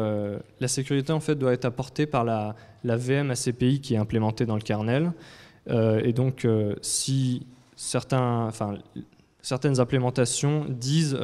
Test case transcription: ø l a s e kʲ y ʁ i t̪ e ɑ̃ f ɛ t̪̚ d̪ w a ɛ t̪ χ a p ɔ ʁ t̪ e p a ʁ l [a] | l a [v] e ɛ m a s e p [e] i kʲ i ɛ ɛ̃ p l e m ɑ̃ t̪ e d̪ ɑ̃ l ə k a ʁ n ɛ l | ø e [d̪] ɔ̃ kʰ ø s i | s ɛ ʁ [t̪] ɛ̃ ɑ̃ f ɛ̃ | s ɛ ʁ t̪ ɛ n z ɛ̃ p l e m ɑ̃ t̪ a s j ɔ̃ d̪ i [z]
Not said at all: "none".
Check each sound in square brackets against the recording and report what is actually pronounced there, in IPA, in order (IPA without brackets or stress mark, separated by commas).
a, v, e, d̪, t̪, z